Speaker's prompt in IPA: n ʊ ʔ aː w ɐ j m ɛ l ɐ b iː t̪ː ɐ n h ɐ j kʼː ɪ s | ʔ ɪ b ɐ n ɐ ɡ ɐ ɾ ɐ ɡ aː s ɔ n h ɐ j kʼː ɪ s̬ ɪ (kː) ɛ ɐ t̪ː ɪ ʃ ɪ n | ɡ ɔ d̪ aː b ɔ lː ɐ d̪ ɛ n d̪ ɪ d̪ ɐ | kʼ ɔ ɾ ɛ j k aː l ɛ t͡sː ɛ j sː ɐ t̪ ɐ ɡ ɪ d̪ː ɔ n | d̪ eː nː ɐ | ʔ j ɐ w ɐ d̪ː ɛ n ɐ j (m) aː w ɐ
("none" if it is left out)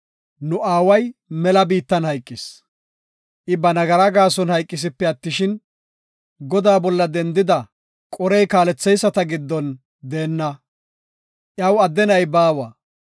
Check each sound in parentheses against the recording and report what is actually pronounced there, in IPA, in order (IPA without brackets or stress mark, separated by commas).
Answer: pː, b